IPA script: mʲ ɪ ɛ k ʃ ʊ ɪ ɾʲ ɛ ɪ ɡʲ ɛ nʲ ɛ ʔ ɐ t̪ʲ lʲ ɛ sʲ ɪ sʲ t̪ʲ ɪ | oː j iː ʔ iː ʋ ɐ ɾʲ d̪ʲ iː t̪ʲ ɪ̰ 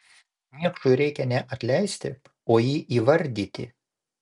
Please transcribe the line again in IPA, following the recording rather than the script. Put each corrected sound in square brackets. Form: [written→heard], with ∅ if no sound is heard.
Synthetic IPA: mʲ [ɪ→i] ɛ k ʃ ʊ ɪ ɾʲ ɛ ɪ [ɡʲ→kʲ] ɛ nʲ ɛ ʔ ɐ t̪ʲ lʲ ɛ [sʲ→∅] ɪ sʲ t̪ʲ ɪ | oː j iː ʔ iː ʋ ɐ ɾʲ d̪ʲ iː t̪ʲ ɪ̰

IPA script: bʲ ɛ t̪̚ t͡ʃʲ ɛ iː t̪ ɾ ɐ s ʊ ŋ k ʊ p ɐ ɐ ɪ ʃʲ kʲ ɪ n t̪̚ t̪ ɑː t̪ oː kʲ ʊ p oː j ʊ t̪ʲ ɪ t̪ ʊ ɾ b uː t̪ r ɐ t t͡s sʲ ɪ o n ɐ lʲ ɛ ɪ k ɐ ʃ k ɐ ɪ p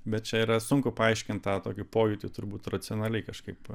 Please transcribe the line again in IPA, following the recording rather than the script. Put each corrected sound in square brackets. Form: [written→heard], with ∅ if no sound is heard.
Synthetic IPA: bʲ ɛ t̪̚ t͡ʃʲ ɛ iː [t̪→∅] ɾ ɐ s ʊ ŋ k ʊ p ɐ ɐ ɪ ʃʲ kʲ ɪ n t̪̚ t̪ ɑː t̪ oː kʲ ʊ p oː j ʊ t̪ʲ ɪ t̪ ʊ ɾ b uː t̪ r ɐ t t͡s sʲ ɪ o n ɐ lʲ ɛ ɪ k ɐ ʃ k ɐ ɪ p

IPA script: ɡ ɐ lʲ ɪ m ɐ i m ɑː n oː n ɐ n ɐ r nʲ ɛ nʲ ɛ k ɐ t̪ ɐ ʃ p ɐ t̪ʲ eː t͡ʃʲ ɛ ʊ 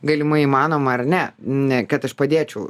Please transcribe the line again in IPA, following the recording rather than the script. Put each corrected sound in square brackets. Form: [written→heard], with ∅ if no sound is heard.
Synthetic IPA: ɡ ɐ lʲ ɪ m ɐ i m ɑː n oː [n→m] ɐ [n→∅] ɐ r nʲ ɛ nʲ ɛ k ɐ t̪ ɐ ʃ p ɐ [t̪ʲ→d̪ʲ] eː t͡ʃʲ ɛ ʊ

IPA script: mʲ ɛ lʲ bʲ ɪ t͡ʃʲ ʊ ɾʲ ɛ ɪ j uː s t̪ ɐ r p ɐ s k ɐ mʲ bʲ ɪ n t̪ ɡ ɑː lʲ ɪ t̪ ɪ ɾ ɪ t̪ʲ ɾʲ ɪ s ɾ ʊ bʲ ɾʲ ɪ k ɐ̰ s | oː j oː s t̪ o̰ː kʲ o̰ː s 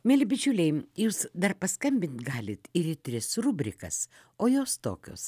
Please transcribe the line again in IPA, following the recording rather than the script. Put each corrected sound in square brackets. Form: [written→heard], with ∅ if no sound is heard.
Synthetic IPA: mʲ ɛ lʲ bʲ ɪ t͡ʃʲ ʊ [ɾʲ→lʲ] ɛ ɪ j uː s [t̪→d̪] ɐ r p ɐ s k ɐ mʲ bʲ ɪ n t̪ ɡ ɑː lʲ ɪ t̪ ɪ ɾ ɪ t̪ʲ ɾʲ ɪ s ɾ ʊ bʲ ɾʲ ɪ k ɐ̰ s | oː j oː s t̪ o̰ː kʲ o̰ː s

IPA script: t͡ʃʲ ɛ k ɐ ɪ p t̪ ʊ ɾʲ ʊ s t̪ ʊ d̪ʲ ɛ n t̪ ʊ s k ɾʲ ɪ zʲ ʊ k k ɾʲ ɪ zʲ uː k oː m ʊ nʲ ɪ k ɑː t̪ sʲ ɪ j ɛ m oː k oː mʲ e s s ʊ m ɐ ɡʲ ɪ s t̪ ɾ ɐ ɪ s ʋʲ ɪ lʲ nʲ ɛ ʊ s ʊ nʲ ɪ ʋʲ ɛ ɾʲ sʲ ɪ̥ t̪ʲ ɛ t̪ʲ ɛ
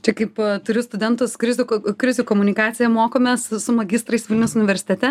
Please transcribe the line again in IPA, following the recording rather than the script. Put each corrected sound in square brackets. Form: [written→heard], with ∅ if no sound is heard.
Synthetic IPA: t͡ʃʲ ɛ k ɐ ɪ p t̪ ʊ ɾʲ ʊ s t̪ ʊ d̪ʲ ɛ n t̪ ʊ s k ɾʲ ɪ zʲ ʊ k k ɾʲ ɪ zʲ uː k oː m ʊ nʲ ɪ k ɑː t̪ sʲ ɪ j ɛ m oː k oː mʲ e s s ʊ m ɐ ɡʲ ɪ s t̪ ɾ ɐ ɪ s ʋʲ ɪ lʲ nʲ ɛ ʊ s ʊ nʲ ɪ ʋʲ ɛ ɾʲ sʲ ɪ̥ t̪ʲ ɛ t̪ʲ ɛ

